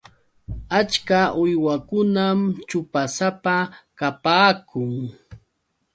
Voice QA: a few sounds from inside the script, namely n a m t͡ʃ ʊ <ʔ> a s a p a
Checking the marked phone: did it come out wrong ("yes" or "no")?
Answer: yes